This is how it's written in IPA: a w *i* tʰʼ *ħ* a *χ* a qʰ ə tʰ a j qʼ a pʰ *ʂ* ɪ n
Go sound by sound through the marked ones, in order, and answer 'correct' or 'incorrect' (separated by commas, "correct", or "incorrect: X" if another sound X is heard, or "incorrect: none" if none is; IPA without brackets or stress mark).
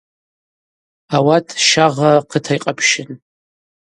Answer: incorrect: a, incorrect: ʃ, incorrect: ʁ, incorrect: ʃ